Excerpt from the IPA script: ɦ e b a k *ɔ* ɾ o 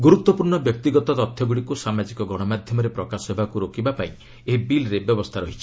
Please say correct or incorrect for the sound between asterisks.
incorrect